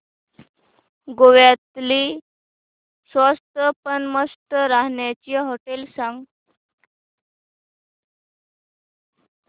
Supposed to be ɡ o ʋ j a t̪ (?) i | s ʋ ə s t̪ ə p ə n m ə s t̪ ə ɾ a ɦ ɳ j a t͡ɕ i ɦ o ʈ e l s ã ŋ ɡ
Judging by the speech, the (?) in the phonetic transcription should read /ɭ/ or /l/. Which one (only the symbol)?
l